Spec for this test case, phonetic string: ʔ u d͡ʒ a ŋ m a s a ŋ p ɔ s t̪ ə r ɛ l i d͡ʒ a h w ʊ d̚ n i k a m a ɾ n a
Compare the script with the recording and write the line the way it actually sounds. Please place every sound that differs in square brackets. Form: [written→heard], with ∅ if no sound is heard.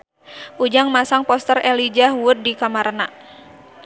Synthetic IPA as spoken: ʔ u d͡ʒ a ŋ m a s a ŋ p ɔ s t̪ ə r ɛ l i d͡ʒ a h w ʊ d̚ [n→d] i k a m a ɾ n a

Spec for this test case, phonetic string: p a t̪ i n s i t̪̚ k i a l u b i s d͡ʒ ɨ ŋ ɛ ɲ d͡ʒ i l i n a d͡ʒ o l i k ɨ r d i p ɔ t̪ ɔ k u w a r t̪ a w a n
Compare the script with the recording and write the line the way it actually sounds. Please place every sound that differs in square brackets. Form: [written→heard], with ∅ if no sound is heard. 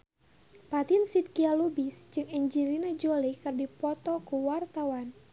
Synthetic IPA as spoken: p a t̪ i n s i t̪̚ k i a l u b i s d͡ʒ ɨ ŋ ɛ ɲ d͡ʒ i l i n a d͡ʒ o l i k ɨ r d i p ɔ t̪ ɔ k u w a r t̪ a w a n

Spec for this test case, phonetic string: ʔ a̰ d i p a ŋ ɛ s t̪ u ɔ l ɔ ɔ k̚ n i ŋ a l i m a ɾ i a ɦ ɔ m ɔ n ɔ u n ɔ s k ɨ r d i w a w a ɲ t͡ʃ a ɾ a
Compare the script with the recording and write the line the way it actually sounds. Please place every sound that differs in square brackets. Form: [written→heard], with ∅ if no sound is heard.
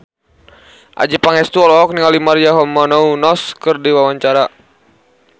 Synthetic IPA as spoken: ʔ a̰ [d→d͡ʒ] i p a ŋ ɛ s t̪ u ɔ l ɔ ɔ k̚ n i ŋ a l i m a ɾ i a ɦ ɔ m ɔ n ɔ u n ɔ s k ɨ r d i w a w a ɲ t͡ʃ a ɾ a

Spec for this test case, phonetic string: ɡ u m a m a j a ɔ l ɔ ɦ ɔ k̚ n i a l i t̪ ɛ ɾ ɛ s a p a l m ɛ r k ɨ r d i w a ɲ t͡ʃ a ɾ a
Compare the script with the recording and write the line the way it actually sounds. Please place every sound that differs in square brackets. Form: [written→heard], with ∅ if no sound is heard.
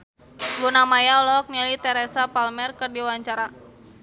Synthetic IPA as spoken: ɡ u [m→n] a m a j a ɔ l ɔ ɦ ɔ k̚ n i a l i t̪ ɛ ɾ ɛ s a p a l m ɛ r k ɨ r d i w a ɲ t͡ʃ a ɾ a

